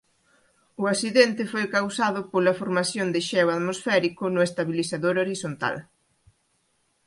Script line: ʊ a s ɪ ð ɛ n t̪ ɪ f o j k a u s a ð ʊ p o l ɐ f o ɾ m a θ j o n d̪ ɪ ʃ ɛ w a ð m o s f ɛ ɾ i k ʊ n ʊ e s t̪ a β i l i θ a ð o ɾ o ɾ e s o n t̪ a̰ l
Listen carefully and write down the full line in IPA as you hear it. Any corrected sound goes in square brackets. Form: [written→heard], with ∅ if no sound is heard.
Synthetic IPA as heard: ʊ a s [ɪ→i] ð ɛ n t̪ ɪ f o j k a [u→w] s a ð ʊ p o l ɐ f o ɾ m a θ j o n d̪ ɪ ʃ ɛ w a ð m o s f ɛ ɾ i k ʊ n ʊ e s t̪ a β i l i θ a ð o ɾ o ɾ [e→i] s o n t̪ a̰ l